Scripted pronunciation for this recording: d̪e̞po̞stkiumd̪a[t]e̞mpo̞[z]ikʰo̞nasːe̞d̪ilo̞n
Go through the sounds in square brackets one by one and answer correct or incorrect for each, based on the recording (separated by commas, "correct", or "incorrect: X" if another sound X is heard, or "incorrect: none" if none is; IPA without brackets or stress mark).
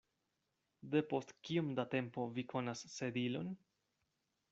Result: correct, incorrect: v